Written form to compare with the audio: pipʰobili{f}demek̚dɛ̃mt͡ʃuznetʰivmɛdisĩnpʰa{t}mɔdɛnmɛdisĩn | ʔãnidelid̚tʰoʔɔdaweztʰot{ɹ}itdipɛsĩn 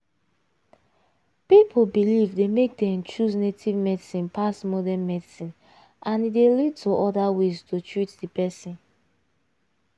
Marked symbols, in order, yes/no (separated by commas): no, no, yes